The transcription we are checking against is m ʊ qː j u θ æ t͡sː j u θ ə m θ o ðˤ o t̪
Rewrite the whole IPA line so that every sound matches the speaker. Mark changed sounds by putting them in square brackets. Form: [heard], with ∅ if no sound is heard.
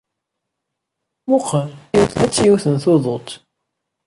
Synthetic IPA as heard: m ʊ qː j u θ æ t͡sː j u θ ə [n] θ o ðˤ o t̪